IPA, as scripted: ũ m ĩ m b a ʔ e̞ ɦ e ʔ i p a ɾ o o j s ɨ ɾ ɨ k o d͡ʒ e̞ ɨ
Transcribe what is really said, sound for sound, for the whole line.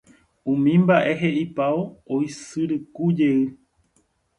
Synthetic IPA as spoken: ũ m ĩ m b a ʔ e̞ ɦ e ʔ i p a o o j s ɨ ɾ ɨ k u d͡ʒ e̞ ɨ